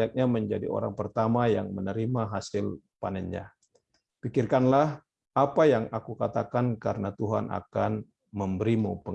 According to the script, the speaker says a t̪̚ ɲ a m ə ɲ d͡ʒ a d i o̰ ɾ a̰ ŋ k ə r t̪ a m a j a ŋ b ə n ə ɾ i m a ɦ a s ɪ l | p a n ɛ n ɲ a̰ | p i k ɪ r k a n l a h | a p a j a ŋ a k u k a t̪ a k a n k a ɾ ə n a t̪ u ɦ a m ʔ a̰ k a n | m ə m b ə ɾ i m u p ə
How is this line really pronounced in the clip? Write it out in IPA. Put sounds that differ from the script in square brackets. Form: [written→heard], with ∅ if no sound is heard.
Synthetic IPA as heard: a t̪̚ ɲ a m ə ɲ d͡ʒ a d i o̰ ɾ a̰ ŋ [k→p] ə r t̪ a m a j a ŋ [b→m] ə n ə ɾ i m a ɦ a s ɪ l | p a n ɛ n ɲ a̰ | p i k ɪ r k a n l a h | a p a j a ŋ a k u k a t̪ a k a n k a ɾ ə n a t̪ u ɦ a [m→n] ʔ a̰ k a n | m ə m b ə ɾ i m u p ə